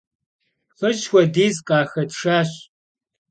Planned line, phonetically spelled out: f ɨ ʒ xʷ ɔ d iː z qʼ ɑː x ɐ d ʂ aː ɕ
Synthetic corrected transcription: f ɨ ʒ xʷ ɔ d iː z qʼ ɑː x ɐ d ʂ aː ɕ